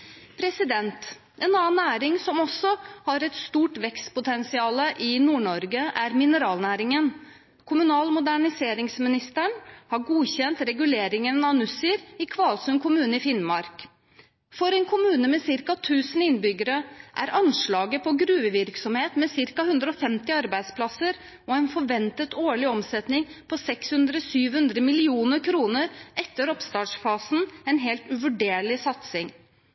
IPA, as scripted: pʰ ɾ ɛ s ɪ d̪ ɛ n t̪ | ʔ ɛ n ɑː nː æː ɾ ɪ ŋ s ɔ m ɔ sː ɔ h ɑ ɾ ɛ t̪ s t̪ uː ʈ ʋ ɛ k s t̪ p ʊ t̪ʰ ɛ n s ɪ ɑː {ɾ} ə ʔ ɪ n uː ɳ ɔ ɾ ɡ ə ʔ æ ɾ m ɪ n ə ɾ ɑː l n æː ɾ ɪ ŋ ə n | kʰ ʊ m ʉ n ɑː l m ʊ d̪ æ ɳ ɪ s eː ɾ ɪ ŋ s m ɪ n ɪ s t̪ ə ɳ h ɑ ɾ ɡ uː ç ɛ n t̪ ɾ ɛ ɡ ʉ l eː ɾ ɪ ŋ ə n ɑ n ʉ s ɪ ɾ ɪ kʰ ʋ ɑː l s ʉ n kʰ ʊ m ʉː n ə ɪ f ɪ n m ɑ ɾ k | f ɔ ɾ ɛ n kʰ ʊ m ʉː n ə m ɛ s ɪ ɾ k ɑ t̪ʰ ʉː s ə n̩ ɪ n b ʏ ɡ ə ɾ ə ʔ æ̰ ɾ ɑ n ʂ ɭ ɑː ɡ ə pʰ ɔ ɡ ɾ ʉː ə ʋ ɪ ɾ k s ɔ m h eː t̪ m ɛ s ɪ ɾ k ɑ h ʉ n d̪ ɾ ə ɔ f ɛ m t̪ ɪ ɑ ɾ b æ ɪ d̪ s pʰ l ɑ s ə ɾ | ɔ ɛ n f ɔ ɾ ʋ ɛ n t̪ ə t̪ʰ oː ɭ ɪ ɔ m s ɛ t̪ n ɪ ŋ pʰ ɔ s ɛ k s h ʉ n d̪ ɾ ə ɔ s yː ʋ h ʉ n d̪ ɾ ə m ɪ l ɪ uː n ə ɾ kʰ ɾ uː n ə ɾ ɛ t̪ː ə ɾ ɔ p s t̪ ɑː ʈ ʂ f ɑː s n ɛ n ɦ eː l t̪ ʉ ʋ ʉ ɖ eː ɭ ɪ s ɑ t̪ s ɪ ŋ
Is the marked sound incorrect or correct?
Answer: incorrect: l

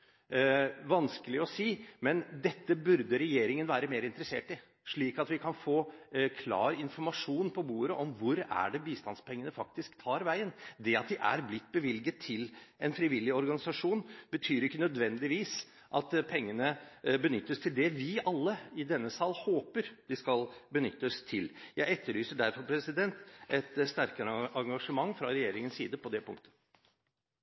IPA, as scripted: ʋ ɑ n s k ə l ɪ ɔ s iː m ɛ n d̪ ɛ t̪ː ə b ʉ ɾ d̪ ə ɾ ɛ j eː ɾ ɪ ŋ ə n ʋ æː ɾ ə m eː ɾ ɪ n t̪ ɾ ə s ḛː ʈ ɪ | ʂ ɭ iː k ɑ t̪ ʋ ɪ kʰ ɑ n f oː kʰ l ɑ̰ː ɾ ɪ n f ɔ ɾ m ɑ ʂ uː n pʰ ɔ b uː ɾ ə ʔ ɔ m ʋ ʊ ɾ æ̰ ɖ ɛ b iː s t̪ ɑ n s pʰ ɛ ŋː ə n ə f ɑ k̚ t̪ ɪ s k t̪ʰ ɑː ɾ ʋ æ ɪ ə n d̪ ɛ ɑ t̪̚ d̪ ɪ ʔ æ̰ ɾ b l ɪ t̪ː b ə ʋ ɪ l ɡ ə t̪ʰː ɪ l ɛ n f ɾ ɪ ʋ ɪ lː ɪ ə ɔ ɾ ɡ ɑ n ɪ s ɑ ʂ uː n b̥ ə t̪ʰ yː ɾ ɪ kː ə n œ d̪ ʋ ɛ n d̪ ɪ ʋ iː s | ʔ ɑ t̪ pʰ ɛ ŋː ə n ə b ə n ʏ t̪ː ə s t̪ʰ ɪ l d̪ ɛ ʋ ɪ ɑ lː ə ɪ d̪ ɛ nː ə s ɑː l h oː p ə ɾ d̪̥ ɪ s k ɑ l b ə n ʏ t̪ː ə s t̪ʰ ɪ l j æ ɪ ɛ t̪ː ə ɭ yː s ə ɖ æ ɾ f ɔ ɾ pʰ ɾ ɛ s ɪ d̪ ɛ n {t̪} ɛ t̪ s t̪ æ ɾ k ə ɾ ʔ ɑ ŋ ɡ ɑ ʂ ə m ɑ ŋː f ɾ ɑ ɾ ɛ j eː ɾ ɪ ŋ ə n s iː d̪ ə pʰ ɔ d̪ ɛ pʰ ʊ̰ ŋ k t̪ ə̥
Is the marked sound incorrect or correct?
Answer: correct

